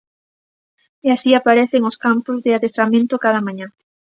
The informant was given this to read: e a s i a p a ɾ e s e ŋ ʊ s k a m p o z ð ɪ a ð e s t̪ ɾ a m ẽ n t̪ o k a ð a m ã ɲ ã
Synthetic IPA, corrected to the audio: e a s i a p a ɾ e θ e ŋ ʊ s k a m p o z ð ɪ a ð e s t̪ ɾ a m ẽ n t̪ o k a ð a m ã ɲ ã